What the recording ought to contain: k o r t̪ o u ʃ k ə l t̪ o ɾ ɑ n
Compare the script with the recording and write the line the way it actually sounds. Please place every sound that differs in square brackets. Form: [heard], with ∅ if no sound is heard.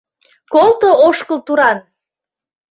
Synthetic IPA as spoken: k o [l] t̪ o [o] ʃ k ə l t̪ [u] ɾ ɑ n